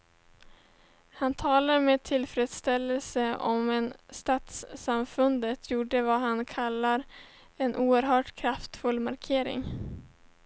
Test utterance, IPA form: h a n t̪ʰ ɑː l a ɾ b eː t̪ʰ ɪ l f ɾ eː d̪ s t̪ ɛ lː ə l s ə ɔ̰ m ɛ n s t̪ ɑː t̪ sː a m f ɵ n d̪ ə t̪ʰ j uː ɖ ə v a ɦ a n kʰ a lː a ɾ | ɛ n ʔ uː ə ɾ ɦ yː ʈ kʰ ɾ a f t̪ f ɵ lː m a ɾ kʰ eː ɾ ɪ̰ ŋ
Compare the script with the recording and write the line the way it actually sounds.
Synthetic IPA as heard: h a n t̪ʰ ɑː l a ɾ m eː t̪ʰ ɪ l f ɾ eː d̪ s t̪ ɛ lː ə l s ə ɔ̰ m ɛ n s t̪ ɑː t̪ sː a m f ɵ n d̪ ə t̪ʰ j uː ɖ ə v a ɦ a n kʰ a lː a ɾ | ɛ n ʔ uː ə ɾ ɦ œː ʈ kʰ ɾ a f t̪ f ɵ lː m a ɾ kʰ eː ɾ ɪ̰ ŋ